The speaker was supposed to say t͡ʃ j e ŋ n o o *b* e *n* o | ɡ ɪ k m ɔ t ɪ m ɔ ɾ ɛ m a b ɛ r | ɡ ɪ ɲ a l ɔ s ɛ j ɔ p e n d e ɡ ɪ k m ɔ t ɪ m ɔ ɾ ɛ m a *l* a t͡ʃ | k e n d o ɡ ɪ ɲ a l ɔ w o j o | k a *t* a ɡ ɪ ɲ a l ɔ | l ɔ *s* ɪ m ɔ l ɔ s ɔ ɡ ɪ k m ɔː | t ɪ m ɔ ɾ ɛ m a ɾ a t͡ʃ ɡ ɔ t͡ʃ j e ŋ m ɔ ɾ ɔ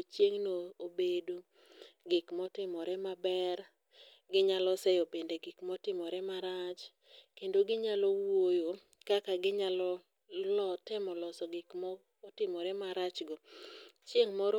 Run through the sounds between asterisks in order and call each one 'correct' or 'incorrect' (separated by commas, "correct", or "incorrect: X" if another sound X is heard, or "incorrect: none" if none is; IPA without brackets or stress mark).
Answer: correct, incorrect: d, incorrect: ɾ, incorrect: k, incorrect: t